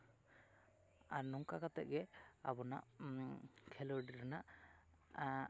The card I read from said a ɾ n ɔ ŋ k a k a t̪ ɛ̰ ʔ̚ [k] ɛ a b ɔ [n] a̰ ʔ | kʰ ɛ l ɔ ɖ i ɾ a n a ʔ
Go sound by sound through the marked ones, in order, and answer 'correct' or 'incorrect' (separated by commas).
incorrect, correct